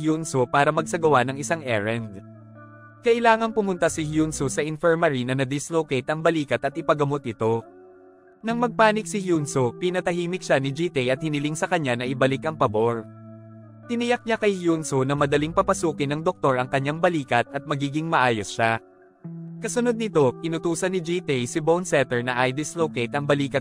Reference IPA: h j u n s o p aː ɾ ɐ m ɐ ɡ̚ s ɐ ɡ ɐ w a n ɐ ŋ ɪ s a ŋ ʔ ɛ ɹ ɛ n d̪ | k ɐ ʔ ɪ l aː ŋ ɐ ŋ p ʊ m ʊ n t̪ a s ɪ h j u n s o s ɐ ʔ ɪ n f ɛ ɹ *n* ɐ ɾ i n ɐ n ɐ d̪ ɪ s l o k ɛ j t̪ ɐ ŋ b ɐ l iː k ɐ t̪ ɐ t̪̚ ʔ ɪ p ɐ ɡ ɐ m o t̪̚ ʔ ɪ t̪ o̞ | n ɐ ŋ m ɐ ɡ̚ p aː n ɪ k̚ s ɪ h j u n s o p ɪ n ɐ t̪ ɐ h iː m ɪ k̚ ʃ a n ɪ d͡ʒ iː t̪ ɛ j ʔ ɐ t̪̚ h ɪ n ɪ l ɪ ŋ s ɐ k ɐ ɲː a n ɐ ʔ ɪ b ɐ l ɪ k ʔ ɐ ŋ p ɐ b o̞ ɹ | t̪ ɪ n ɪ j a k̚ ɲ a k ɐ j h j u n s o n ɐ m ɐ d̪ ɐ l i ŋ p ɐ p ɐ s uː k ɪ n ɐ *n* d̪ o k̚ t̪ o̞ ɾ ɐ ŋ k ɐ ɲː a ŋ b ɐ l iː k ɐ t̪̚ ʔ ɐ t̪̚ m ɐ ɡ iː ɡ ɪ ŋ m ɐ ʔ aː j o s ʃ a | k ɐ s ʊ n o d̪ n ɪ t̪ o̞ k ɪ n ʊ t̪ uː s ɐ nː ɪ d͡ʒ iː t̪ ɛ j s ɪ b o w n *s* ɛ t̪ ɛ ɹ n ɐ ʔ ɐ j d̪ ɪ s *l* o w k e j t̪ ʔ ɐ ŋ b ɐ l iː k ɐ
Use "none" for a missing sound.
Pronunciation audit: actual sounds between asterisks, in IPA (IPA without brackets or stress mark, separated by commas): m, ŋ, s, l